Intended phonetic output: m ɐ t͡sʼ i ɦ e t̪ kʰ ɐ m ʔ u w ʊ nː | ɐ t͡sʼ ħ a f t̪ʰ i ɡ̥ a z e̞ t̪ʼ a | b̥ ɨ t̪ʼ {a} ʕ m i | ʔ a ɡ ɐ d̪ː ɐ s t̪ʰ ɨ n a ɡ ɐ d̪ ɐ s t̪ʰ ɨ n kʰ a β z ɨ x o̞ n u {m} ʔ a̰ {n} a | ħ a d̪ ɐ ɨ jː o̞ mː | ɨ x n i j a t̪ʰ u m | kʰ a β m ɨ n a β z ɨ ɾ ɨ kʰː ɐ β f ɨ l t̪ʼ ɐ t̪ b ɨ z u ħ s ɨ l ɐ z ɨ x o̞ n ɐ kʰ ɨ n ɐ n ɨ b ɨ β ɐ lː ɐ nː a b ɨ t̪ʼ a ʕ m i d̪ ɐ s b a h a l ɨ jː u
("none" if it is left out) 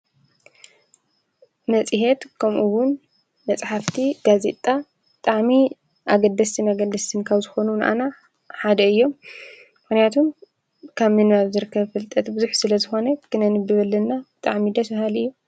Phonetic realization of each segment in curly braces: a, n, n

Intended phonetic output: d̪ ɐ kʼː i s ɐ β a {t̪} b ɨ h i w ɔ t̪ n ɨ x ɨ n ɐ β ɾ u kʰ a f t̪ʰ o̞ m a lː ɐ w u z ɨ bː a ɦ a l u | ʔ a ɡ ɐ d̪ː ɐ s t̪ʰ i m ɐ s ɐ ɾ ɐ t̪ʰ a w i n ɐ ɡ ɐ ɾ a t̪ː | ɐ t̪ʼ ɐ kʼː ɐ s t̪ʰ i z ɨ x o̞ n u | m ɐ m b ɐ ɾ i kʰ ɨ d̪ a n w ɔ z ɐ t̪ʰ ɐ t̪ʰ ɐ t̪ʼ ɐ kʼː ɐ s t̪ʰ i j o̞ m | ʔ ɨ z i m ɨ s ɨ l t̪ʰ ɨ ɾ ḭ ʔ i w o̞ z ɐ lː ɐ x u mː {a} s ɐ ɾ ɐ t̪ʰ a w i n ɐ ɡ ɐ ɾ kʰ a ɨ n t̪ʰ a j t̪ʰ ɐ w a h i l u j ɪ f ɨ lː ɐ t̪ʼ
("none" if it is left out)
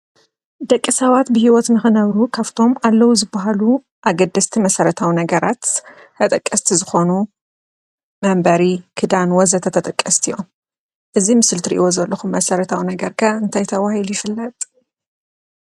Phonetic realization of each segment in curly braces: t̪, ɐ

